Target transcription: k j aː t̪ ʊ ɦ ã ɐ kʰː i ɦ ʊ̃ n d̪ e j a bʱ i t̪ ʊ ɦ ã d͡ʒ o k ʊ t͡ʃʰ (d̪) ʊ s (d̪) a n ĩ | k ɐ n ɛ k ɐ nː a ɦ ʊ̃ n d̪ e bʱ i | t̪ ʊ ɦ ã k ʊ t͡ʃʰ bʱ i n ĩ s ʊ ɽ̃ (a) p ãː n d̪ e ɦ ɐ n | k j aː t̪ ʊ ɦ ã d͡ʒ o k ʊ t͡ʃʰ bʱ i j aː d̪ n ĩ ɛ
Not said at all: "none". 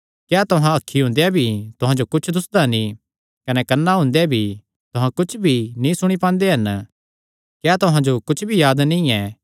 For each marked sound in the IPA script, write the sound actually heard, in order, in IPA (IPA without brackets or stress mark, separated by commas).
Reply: d̪, d̪, i